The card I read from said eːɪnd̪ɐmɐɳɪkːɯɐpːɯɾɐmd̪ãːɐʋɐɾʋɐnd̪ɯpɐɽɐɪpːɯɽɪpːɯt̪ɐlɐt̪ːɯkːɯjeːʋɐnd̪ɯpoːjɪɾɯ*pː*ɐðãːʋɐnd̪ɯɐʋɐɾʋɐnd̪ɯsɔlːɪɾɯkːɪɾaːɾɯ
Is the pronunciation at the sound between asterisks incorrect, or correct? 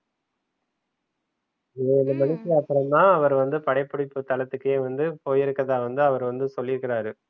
incorrect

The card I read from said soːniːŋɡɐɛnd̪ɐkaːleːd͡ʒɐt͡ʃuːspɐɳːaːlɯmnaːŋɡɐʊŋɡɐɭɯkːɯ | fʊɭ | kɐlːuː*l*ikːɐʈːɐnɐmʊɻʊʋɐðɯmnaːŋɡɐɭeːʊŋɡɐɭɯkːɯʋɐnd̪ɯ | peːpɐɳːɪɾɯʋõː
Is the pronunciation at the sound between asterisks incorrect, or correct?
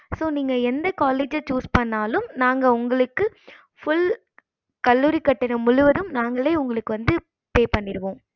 incorrect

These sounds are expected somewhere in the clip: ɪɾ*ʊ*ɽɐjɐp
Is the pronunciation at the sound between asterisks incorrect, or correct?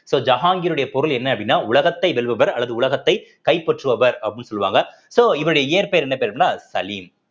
incorrect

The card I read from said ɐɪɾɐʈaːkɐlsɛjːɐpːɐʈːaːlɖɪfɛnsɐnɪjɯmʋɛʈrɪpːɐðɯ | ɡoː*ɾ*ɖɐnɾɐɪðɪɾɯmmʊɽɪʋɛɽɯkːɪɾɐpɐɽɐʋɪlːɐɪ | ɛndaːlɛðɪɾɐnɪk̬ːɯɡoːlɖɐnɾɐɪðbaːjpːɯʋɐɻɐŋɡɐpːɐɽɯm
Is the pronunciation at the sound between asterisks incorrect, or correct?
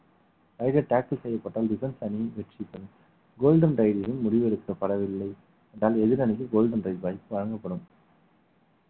incorrect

